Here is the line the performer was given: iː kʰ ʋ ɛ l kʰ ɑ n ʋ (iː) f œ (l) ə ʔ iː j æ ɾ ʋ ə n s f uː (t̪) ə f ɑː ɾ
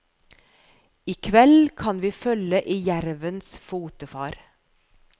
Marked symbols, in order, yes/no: yes, yes, yes

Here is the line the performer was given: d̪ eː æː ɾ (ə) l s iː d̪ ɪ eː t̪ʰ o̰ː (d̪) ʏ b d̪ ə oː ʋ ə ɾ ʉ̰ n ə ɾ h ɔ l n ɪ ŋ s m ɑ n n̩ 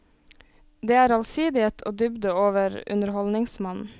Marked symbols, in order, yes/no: no, yes

